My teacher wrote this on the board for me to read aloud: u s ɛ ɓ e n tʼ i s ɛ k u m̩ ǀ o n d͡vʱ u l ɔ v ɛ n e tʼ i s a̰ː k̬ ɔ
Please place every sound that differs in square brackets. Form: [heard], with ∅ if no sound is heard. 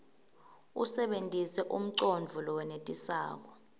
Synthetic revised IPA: u s ɛ ɓ e n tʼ i s ɛ [ʔ] u m̩ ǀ o n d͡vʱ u l ɔ [w] ɛ n e tʼ i s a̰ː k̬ ɔ